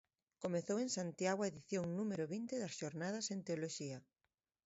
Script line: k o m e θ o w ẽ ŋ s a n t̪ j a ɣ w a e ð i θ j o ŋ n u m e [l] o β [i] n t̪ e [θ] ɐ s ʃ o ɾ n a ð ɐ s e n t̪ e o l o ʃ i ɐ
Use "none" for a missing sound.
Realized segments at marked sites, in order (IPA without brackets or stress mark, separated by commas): ɾ, i, ð